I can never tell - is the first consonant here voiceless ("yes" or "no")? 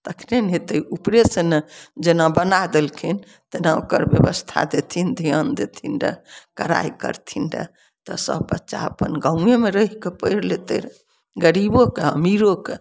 yes